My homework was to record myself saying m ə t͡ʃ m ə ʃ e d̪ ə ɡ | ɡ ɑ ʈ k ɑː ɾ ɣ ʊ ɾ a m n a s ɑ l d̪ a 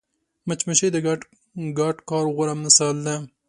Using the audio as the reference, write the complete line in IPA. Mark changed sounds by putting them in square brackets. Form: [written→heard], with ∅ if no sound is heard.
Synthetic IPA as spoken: m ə t͡ʃ m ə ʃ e d̪ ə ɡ | ɡ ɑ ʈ k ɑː ɾ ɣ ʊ ɾ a m n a s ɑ l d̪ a